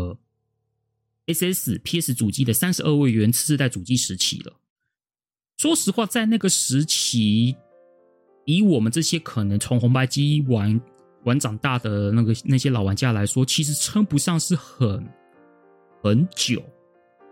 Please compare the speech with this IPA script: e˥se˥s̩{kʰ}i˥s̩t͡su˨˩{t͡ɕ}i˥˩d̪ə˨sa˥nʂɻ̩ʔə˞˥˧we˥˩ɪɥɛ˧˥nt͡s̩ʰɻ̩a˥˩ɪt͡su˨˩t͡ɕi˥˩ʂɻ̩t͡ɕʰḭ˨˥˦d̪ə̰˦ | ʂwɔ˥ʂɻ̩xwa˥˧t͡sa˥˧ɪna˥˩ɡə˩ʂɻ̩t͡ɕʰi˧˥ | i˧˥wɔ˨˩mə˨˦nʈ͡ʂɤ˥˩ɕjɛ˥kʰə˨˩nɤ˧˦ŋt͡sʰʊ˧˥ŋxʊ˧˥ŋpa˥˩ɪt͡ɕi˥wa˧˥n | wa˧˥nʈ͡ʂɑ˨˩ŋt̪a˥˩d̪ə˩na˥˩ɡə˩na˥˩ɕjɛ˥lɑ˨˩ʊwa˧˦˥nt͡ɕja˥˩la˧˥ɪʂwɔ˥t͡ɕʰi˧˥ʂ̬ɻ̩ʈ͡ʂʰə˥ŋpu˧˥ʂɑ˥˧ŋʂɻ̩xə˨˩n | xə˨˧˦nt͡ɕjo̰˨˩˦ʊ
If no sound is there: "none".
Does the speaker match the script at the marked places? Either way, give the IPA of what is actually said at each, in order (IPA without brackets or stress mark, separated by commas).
pʰ, t͡ɕ